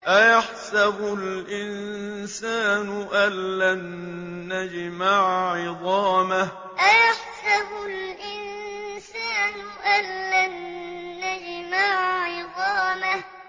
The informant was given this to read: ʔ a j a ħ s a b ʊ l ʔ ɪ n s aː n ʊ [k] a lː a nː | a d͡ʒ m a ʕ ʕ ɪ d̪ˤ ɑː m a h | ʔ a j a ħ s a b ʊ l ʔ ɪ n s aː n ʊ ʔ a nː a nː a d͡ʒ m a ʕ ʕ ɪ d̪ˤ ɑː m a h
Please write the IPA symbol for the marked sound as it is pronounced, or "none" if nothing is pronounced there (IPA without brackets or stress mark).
ʔ